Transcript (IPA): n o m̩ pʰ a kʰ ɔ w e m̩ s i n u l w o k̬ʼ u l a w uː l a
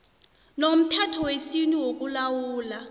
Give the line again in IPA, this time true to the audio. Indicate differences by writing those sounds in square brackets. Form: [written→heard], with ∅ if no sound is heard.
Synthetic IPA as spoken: n o m̩ [pʰ→tʰ] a [kʰ→tʰ] ɔ w e [m̩→∅] s i n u [l→∅] w o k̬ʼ u l a w uː l a